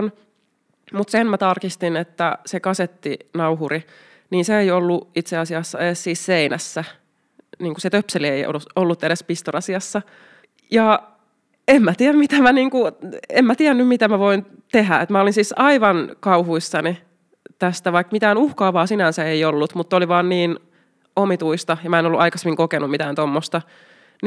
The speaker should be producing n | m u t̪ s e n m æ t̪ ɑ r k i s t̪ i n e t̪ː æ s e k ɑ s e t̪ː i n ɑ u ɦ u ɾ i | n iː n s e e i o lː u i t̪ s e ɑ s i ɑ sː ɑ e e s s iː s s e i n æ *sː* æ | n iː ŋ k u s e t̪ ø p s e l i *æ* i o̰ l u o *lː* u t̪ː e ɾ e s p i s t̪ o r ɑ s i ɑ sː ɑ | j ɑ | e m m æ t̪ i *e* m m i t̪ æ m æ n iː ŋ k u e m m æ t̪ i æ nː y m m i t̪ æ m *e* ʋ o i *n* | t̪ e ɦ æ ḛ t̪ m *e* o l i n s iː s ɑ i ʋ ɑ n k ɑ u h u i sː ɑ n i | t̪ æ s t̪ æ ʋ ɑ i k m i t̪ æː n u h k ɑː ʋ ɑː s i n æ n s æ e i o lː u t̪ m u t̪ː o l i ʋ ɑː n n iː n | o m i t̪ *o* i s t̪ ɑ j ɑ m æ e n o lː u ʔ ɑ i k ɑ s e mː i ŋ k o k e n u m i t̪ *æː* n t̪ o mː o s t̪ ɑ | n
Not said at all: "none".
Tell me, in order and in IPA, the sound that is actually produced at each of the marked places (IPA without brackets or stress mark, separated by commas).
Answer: sː, e, lː, æ, æ, n, æ, u, æː